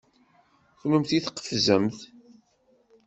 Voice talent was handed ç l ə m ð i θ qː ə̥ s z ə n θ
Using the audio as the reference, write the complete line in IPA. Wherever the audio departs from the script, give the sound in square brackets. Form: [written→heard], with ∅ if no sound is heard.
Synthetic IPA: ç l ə m [ð→θ] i θ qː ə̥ [s→f] z ə [n→m] θ